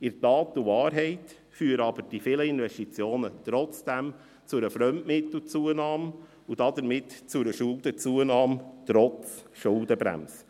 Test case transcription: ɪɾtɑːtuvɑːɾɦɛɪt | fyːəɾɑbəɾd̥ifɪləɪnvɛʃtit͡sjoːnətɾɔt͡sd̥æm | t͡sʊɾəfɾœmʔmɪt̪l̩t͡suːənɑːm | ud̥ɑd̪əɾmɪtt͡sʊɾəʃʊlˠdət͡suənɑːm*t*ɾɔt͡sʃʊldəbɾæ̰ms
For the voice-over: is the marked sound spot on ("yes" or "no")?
yes